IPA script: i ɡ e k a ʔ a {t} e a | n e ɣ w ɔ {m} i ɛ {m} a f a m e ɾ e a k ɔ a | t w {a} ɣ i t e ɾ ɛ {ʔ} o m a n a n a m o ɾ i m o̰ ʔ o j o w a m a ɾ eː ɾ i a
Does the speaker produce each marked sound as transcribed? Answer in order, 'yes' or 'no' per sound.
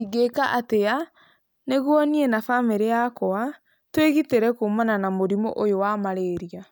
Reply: yes, no, no, no, no

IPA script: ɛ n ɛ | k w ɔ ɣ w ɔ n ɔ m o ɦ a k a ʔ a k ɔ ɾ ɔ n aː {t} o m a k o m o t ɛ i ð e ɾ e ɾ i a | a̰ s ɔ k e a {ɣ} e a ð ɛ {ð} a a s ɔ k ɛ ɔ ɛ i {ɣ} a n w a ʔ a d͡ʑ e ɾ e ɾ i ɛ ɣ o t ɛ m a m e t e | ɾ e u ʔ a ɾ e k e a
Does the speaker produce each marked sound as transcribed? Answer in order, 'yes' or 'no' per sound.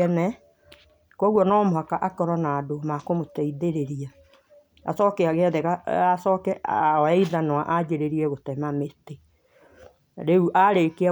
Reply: no, yes, no, no

